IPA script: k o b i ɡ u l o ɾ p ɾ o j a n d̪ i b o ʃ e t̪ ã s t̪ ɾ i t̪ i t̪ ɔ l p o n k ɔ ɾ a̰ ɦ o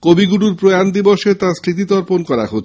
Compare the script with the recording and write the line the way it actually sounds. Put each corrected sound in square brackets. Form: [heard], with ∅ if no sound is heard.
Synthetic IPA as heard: k o b i ɡ u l [u] ɾ p ɾ o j a n d̪ i b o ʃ e t̪ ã s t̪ ɾ i t̪ i t̪ ɔ [ɾ] p o n k ɔ ɾ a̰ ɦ o

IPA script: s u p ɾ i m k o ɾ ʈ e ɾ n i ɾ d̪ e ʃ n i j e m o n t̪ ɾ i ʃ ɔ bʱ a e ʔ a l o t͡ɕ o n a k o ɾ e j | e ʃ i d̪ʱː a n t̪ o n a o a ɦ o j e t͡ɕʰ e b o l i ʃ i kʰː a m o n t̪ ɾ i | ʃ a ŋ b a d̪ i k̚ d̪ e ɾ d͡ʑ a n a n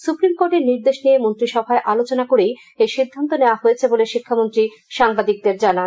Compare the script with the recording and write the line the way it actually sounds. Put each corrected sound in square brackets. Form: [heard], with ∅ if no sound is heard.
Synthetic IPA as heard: s u p ɾ i m k o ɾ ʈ e ɾ n i ɾ d̪ e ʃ n i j e m o n t̪ ɾ i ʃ ɔ bʱ a e ʔ a l o t͡ɕ o n a k o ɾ e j | e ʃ i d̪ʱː a n t̪ o n [e] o a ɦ o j e t͡ɕʰ e b o l [e] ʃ i kʰː a m o n t̪ ɾ i | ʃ a ŋ b a d̪ i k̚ d̪ e ɾ d͡ʑ a n a n

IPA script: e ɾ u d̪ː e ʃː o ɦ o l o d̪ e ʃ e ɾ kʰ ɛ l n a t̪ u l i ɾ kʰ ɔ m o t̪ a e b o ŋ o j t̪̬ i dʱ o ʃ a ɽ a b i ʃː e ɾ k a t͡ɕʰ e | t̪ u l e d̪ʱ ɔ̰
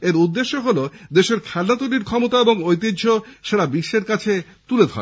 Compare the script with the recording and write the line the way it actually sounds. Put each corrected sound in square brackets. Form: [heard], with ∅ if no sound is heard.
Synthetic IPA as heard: e ɾ u d̪ː e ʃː o ɦ o l o d̪ e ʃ e ɾ kʰ ɛ l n a t̪ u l i ɾ kʰ ɔ m o t̪ a e b o ŋ o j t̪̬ i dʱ o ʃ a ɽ a b i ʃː e ɾ k a t͡ɕʰ e | t̪ u l e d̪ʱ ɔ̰

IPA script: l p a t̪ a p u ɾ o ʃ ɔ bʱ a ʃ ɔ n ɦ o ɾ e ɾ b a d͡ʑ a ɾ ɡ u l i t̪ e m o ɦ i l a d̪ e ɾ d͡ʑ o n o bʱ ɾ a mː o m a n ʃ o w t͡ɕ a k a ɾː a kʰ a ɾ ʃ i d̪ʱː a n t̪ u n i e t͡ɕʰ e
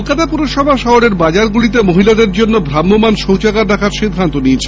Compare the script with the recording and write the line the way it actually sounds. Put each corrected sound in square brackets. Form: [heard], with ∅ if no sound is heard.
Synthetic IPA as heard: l [k] a t̪ a p u ɾ o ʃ ɔ bʱ a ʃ ɔ [∅] ɦ o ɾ e ɾ b a d͡ʑ a ɾ ɡ u l i t̪ e m o ɦ i l a d̪ e ɾ d͡ʑ o [nː] o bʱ ɾ a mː o m a n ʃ o w t͡ɕ a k a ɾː a kʰ a ɾ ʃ i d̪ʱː a n t̪ [o] n i e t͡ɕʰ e

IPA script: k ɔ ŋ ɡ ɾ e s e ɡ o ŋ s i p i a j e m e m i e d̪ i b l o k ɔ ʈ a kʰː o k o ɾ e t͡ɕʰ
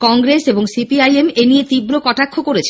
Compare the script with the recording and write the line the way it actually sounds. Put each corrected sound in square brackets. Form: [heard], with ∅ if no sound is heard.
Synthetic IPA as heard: k ɔ ŋ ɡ ɾ e s e [b] o ŋ s i p i a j e m e [n] i e [t̪] i b [ɾ] o k ɔ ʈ a kʰː o k o ɾ e t͡ɕʰ

